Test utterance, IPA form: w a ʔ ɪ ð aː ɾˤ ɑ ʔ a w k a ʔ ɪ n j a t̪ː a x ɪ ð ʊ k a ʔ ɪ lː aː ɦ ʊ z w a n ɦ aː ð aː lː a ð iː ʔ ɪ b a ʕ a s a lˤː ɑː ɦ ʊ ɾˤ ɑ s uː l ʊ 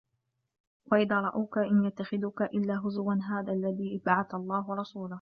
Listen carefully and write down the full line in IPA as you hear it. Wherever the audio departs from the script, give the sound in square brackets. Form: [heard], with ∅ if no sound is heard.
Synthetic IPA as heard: w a ʔ ɪ ð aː ɾˤ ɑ ʔ a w k a ʔ ɪ n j a t̪ː a x ɪ ð ʊ k a ʔ ɪ lː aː ɦ ʊ z w a n ɦ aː ð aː lː a ð iː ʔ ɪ b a ʕ a [θ] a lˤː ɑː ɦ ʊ ɾˤ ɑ s uː l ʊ

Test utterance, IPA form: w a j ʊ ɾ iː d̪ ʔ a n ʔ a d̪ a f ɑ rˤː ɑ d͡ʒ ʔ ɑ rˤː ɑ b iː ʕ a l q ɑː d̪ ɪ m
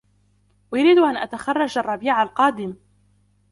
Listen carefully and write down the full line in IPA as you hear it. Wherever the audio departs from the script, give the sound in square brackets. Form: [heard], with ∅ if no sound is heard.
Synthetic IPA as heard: w a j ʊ ɾ iː d̪ ʔ a n ʔ a [t̪] a [x] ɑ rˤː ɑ d͡ʒ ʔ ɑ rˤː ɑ b iː ʕ a l q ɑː d̪ ɪ m

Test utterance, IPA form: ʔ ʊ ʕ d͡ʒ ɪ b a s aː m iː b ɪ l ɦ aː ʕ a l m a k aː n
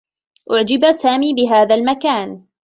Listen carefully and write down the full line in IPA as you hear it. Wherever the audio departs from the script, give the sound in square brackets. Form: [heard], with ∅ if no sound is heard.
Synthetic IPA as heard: ʔ ʊ ʕ d͡ʒ ɪ b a s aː m iː b ɪ [∅] ɦ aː [ð] a l m a k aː n

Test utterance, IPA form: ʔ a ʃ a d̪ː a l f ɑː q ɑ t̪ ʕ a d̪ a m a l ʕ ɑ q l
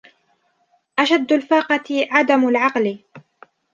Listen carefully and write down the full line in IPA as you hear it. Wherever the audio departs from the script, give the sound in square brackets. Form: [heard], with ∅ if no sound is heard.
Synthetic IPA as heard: ʔ a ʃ a d̪ː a l f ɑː q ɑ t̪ ʕ a d̪ a m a l ʕ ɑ q l

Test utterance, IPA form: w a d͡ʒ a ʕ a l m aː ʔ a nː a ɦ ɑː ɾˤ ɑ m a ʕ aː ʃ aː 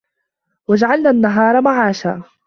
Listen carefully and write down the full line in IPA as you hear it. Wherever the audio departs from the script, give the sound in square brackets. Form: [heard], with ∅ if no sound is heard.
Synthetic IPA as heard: w a d͡ʒ a ʕ a l [n] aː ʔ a nː a ɦ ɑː ɾˤ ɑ m a ʕ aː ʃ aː

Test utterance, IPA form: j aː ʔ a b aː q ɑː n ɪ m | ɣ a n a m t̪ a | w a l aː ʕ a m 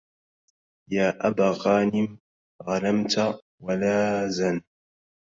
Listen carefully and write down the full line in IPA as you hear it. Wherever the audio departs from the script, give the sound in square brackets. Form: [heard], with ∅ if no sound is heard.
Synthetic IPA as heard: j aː ʔ a b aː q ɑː n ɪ m | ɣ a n a m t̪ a | w a l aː [z] a [n]

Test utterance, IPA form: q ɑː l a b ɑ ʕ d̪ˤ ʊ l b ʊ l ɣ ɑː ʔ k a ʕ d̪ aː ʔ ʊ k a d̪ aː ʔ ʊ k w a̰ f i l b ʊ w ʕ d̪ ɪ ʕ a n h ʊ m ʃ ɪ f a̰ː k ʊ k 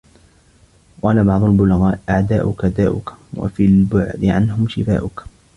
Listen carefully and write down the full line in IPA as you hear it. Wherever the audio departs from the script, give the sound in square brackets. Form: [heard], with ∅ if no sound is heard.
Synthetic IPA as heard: q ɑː l a b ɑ ʕ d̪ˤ ʊ l b ʊ l ɣ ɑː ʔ [ʔ] a ʕ d̪ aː ʔ ʊ k a d̪ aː ʔ ʊ k w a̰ f i l b ʊ [∅] ʕ d̪ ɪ ʕ a n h ʊ m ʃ ɪ f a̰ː [ʔ] ʊ k

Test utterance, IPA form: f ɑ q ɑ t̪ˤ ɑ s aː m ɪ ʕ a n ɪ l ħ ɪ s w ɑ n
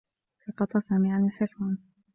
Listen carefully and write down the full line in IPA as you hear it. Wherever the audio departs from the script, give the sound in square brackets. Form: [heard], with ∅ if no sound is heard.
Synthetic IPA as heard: [s] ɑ q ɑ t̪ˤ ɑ s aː m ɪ ʕ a n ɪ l ħ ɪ s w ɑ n

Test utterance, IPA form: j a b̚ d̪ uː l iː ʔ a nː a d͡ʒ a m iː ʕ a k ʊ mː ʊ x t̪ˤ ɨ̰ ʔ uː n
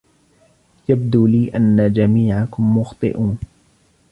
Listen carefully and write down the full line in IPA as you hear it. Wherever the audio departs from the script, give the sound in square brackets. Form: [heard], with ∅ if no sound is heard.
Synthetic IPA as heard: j a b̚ d̪ uː l iː ʔ a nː a d͡ʒ a m iː ʕ a k ʊ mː ʊ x t̪ˤ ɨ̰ ʔ uː n

